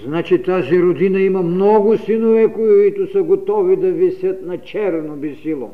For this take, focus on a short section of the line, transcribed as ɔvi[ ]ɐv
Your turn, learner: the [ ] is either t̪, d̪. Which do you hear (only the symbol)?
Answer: d̪